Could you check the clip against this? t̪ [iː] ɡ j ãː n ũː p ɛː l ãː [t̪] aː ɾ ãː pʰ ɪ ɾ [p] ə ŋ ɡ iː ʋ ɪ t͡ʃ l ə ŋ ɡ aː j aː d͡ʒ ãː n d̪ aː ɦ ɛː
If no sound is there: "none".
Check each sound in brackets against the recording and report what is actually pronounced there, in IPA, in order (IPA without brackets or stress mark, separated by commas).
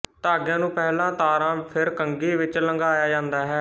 aː, t̪, k